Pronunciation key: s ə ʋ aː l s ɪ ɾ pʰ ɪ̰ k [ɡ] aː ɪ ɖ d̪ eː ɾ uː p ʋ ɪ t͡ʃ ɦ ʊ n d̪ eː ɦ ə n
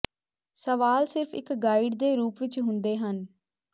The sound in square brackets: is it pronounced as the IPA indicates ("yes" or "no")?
yes